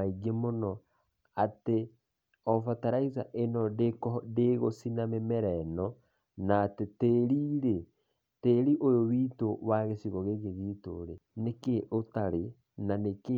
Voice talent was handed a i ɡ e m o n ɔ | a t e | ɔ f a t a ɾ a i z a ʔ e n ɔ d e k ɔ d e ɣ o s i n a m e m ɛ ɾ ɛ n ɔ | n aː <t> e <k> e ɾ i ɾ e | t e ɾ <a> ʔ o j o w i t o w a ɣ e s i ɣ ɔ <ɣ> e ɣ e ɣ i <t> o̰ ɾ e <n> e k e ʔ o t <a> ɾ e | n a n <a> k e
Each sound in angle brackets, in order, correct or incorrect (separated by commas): correct, incorrect, incorrect, correct, correct, correct, correct, incorrect